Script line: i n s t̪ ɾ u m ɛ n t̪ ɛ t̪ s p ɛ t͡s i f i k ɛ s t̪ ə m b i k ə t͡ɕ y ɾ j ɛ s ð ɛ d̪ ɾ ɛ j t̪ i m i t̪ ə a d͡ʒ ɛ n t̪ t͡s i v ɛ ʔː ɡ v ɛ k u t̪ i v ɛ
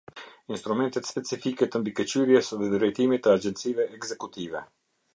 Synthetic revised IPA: i n s t̪ ɾ u m ɛ n t̪ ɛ t̪ s p ɛ t͡s i f i k ɛ t̪ ə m b i k ə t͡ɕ y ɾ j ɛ s ð ɛ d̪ ɾ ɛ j t̪ i m i t̪ ə a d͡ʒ ɛ n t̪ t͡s i v ɛ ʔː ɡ z ɛ k u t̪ i v ɛ